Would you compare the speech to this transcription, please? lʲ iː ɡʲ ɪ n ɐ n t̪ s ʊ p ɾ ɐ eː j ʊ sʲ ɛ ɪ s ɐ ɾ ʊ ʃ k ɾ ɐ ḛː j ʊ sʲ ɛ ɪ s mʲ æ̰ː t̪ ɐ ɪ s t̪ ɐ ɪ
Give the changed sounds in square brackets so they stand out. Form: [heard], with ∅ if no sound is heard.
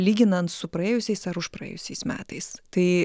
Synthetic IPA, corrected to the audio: lʲ iː ɡʲ ɪ n ɐ n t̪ s ʊ p ɾ ɐ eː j ʊ sʲ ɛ ɪ s ɐ ɾ ʊ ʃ [p] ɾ ɐ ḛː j ʊ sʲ ɛ ɪ s mʲ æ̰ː t̪ ɐ ɪ s t̪ ɐ ɪ